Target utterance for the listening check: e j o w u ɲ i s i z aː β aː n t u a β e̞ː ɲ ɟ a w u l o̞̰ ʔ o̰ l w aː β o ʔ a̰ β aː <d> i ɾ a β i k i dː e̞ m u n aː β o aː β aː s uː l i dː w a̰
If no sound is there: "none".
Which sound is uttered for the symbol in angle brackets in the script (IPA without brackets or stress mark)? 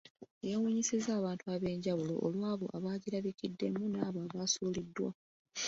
ɟ